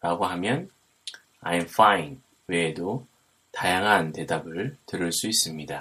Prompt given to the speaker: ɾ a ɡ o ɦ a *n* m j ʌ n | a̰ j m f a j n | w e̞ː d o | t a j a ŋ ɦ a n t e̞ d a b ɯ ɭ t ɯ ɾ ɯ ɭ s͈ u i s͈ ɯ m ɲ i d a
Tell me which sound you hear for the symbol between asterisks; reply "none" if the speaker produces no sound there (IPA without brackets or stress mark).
none